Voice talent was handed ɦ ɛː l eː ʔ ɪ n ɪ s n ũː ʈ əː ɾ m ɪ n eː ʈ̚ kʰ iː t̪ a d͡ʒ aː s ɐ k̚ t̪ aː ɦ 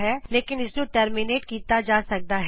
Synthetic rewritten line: ɦ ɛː l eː k ɪ n ɪ s n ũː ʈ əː ɾ m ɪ n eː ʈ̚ k iː t̪ a d͡ʒ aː s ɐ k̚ d̪ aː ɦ